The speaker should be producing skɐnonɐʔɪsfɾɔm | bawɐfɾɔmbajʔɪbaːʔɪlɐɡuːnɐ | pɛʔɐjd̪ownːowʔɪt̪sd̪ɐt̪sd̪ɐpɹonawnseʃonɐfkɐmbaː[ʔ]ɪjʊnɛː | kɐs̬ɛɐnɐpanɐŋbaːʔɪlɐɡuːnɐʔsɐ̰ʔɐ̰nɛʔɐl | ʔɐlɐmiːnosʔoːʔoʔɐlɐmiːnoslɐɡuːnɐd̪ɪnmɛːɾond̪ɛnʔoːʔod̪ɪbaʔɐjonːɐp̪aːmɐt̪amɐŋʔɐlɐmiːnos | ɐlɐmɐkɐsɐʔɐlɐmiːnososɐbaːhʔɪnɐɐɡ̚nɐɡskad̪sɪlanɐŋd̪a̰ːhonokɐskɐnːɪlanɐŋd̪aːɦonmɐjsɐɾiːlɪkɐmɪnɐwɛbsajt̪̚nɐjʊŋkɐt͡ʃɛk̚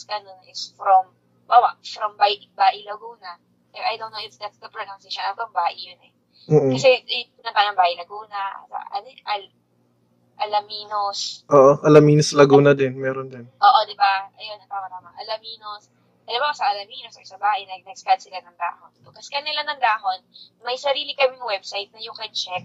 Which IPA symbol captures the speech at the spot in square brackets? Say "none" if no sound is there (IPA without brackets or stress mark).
ʔ